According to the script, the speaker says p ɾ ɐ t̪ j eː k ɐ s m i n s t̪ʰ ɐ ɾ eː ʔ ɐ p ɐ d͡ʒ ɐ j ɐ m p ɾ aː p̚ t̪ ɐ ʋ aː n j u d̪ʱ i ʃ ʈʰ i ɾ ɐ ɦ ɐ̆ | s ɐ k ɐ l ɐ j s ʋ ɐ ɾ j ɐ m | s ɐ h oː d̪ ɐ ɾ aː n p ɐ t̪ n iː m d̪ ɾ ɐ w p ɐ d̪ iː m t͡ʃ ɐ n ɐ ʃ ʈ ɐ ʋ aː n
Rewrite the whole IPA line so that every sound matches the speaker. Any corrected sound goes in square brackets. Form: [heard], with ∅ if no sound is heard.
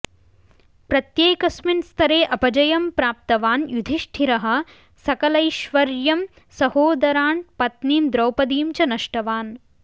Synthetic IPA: p ɾ ɐ t̪ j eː k ɐ s m i n s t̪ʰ ɐ ɾ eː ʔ ɐ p ɐ d͡ʒ ɐ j ɐ m p ɾ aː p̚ t̪ ɐ ʋ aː n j u d̪ʱ i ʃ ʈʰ i ɾ ɐ ɦ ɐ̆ | s ɐ k ɐ l ɐ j [ʃ] ʋ ɐ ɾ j ɐ m | s ɐ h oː d̪ ɐ ɾ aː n p ɐ t̪ n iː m d̪ ɾ ɐ w p ɐ d̪ iː m t͡ʃ ɐ n ɐ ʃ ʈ ɐ ʋ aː n